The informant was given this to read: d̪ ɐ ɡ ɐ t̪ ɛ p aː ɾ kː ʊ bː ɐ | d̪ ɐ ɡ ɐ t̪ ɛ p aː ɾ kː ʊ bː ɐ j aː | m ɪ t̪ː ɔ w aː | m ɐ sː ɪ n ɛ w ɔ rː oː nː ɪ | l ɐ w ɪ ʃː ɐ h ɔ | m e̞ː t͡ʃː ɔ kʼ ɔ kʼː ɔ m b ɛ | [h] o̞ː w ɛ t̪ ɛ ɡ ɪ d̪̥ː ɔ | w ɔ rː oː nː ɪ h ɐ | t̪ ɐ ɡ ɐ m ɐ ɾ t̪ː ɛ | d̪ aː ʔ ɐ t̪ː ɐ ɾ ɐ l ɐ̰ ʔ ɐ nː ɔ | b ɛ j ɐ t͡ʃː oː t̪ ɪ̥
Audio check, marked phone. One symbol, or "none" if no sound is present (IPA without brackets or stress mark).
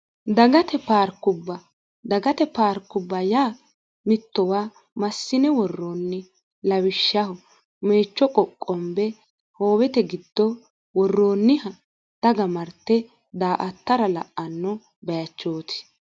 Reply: h